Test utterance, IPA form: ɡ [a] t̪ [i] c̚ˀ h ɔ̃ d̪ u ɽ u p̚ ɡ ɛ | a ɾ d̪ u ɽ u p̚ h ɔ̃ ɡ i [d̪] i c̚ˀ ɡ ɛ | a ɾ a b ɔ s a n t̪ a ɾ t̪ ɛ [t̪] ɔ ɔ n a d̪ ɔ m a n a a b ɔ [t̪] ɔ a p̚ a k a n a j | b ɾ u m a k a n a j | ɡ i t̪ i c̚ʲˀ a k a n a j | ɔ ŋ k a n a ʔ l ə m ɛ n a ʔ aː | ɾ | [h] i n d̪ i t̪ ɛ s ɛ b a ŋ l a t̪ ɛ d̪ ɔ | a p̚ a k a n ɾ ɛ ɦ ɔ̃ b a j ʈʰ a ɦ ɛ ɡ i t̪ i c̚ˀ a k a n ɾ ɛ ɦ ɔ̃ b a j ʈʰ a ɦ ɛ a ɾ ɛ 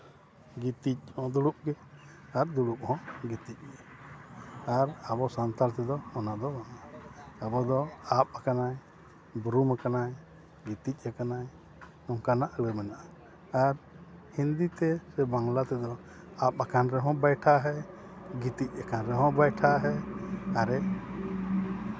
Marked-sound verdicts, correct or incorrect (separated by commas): incorrect, correct, incorrect, incorrect, incorrect, correct